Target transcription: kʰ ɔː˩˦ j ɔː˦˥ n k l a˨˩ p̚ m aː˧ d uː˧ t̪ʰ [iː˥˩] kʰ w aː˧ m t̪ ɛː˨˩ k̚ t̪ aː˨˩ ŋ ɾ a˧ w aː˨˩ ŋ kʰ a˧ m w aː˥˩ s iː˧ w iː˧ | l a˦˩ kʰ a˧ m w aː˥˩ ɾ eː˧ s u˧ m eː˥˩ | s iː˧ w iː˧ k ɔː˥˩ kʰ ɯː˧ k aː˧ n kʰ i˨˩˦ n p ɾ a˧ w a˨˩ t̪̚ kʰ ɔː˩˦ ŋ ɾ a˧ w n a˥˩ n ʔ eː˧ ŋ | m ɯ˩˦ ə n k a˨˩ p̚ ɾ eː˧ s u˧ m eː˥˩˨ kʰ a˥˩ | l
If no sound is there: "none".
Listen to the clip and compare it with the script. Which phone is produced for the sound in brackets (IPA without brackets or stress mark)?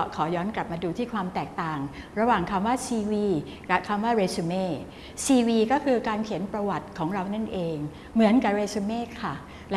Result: iː˥˩